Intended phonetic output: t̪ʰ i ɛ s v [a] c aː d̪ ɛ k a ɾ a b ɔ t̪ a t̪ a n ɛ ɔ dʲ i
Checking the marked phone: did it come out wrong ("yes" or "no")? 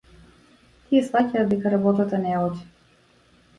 no